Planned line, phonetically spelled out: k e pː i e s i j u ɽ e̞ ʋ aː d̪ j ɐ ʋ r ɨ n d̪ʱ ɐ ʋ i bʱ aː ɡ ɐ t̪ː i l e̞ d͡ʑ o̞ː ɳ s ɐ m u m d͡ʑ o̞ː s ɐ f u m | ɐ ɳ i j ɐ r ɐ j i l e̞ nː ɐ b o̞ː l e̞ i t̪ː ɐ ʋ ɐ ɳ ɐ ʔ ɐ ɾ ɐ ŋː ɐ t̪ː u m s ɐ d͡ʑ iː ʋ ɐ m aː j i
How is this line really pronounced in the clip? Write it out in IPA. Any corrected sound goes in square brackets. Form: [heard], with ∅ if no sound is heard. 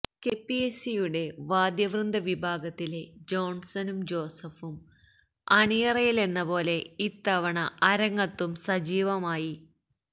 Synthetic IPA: k e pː i e s i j u ɽ e̞ ʋ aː d̪ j ɐ ʋ r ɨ n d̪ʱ ɐ ʋ i bʱ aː ɡ ɐ t̪ː i l e̞ d͡ʑ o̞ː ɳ s ɐ [n] u m d͡ʑ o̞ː s ɐ f u m | ɐ ɳ i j ɐ r ɐ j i l e̞ nː ɐ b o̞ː l e̞ i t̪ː ɐ ʋ ɐ ɳ ɐ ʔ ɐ ɾ ɐ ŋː ɐ t̪ː u m s ɐ d͡ʑ iː ʋ ɐ m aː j i